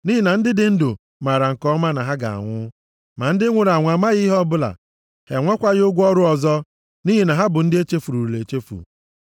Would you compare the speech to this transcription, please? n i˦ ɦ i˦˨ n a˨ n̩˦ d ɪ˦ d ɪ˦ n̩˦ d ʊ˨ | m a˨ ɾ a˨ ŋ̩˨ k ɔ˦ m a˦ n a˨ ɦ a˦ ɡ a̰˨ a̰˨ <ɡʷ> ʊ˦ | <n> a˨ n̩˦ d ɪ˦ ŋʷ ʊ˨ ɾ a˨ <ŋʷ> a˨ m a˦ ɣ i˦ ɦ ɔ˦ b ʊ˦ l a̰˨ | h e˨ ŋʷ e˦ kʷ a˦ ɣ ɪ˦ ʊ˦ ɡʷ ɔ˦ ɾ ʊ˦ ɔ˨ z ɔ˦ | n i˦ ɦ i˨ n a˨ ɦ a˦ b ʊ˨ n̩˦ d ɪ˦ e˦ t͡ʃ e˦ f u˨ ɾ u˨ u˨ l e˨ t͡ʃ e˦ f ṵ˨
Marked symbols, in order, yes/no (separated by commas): no, no, yes